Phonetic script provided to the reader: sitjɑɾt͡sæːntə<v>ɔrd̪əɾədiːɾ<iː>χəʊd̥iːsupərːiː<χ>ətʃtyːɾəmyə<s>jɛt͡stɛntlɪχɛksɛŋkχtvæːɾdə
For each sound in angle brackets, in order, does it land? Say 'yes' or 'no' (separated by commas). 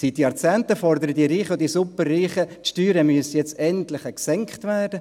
no, yes, yes, yes